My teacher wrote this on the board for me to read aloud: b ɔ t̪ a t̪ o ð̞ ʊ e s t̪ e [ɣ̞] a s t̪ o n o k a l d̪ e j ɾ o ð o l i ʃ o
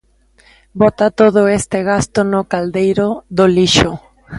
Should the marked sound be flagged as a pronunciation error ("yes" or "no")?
no